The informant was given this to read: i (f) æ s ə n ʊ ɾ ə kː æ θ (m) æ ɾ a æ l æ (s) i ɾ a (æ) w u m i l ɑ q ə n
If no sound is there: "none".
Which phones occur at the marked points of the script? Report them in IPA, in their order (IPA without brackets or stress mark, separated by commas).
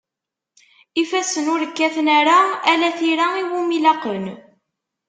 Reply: f, n, θ, i